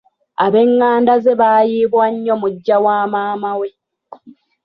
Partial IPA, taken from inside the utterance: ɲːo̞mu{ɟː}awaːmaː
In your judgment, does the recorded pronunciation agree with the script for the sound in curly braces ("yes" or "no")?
yes